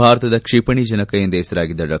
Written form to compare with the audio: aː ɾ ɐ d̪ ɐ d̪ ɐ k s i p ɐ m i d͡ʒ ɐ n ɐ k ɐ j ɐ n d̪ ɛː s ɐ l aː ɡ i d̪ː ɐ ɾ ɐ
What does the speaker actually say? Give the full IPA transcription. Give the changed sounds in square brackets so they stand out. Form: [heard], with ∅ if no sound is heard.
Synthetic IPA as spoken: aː ɾ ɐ [t̪] ɐ d̪ ɐ k [ʂ] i p ɐ [ɳ] i d͡ʒ ɐ n ɐ k ɐ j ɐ n d̪ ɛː s ɐ [ɾ] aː ɡ i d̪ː ɐ ɾ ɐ